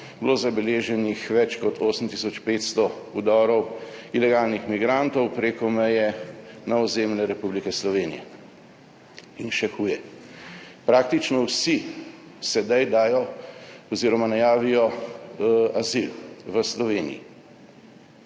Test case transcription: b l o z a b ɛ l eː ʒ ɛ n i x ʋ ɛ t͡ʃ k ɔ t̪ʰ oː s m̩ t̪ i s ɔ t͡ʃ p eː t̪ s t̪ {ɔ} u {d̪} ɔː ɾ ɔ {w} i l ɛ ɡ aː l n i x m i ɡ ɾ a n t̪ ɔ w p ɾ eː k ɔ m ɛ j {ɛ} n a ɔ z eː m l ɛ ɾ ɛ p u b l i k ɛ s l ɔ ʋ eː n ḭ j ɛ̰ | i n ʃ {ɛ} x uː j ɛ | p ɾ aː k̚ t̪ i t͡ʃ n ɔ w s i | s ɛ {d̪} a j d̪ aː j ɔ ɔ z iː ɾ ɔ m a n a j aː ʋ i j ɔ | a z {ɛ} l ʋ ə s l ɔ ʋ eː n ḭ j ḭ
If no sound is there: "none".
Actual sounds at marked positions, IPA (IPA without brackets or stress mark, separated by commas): ɔ, d̪, w, ɛ, ɛ, d̪, i